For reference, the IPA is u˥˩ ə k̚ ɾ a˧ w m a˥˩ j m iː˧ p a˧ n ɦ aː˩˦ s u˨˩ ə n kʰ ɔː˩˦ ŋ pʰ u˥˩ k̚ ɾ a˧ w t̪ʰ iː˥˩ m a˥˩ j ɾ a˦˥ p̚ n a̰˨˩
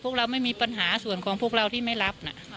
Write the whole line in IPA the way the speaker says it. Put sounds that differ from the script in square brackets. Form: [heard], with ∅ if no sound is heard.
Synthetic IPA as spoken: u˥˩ ə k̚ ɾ a˧ w m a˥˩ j m iː˧ p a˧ n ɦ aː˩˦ s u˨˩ ə n kʰ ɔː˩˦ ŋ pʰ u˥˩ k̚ ɾ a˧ w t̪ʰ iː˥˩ m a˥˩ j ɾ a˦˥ p̚ n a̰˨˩